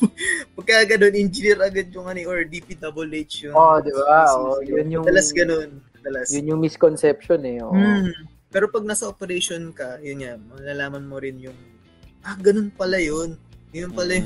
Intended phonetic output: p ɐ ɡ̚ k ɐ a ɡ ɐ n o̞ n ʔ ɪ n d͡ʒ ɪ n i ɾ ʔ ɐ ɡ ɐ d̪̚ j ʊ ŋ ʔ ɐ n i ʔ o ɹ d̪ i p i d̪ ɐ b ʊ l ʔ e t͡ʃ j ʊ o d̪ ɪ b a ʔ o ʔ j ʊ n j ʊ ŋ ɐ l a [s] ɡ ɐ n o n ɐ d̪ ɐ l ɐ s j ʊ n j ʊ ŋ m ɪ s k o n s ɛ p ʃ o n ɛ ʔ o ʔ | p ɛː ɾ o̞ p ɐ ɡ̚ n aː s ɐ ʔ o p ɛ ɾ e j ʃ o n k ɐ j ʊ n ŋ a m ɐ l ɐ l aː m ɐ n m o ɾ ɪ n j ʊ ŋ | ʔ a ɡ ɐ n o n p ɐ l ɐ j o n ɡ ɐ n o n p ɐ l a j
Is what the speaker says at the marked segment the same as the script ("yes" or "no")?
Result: yes